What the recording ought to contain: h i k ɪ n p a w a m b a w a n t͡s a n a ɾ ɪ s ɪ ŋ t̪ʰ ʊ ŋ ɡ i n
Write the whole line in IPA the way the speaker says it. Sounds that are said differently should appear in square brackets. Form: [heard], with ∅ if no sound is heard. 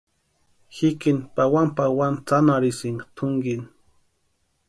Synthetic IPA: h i k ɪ n p a w a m [p] a w a n t͡s a n a ɾ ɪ s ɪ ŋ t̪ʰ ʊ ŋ ɡ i n

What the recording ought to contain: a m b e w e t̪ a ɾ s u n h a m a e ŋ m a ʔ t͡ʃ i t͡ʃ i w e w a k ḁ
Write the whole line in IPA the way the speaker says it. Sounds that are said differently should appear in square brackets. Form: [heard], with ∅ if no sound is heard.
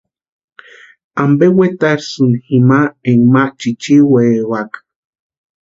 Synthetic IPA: a m b e w e t̪ a ɾ s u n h [i] m a e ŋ m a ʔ t͡ʃ i t͡ʃ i w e w a k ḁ

